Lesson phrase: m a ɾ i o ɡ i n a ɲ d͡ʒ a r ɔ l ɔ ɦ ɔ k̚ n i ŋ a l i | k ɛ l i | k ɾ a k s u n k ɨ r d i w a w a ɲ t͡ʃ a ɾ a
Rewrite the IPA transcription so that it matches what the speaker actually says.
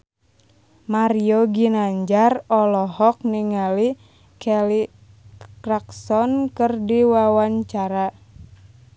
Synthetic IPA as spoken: m a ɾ i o ɡ i n a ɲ d͡ʒ a r ɔ l ɔ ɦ ɔ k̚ n i ŋ a l i | k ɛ l i | k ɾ a k s ɔ n k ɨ r d i w a w a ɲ t͡ʃ a ɾ a